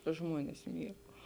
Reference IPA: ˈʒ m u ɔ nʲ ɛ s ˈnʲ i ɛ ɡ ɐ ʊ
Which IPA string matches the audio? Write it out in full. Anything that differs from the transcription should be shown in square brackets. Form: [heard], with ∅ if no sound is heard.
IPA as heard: ˈʒ m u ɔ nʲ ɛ s [ˈmʲ] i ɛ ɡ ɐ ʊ